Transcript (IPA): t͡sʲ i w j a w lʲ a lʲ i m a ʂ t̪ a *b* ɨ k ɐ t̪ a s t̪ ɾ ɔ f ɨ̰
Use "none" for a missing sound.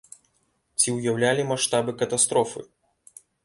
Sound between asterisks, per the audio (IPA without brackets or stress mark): b